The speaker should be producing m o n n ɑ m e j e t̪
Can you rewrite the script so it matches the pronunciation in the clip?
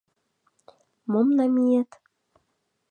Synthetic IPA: m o m n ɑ m i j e t̪